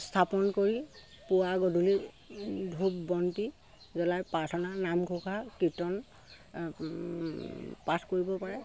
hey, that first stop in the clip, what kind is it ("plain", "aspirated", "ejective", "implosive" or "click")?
aspirated